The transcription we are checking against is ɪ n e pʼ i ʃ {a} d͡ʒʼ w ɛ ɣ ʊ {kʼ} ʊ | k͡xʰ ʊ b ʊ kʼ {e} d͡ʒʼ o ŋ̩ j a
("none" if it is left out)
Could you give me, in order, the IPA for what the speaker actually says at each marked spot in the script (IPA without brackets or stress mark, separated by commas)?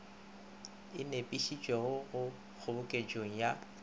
i, none, e